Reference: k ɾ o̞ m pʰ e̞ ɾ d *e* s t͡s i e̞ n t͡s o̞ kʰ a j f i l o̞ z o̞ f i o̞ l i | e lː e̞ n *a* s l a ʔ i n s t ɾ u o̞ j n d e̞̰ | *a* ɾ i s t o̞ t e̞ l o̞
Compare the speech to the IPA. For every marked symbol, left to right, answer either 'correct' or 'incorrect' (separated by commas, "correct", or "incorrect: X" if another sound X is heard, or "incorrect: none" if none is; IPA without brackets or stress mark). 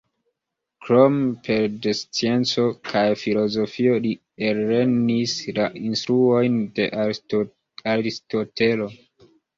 correct, incorrect: i, correct